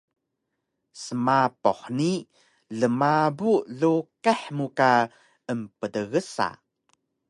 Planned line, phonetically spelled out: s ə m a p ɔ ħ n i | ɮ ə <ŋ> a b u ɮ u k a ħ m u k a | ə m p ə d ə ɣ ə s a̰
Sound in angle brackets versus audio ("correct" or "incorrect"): incorrect